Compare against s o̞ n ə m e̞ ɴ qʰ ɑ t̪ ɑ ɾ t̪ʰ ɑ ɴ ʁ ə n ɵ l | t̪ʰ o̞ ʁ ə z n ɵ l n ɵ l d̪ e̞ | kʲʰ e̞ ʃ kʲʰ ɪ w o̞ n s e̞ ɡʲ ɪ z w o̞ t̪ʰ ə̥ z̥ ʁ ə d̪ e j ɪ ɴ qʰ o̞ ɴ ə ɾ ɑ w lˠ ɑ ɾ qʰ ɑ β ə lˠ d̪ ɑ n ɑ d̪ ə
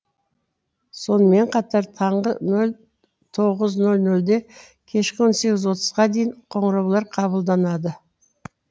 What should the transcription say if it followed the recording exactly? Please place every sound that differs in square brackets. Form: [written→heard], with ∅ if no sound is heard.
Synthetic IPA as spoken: s o̞ n ə m e̞ ɴ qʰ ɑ t̪ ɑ ɾ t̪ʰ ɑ ɴ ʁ ə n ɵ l | t̪ʰ o̞ ʁ ə z n ɵ l n ɵ l d̪ e̞ | kʲʰ e̞ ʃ [kʲʰ→kʲ] ɪ w o̞ n s e̞ ɡʲ ɪ z w o̞ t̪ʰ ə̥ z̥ ʁ [ə→ɑ] d̪ e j ɪ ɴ qʰ o̞ ɴ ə ɾ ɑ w lˠ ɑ ɾ qʰ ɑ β ə lˠ d̪ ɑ n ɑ d̪ ə